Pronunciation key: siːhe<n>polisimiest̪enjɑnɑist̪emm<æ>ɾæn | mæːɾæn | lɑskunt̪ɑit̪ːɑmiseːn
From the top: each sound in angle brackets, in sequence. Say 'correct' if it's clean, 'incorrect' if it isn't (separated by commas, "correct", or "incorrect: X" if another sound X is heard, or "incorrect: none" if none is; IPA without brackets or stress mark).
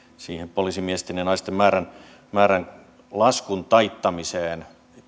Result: incorrect: m, incorrect: æː